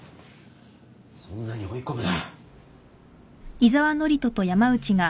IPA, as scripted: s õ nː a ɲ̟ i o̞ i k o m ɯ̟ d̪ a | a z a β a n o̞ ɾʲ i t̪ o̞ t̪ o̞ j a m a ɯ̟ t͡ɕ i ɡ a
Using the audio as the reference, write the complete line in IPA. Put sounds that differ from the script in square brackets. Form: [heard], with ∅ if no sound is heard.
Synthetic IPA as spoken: s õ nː a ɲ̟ i o̞ i k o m ɯ̟ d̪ a | [i] z a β a n o̞ ɾʲ i t̪ o̞ t̪ o̞ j a m a ɯ̟ t͡ɕ i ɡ a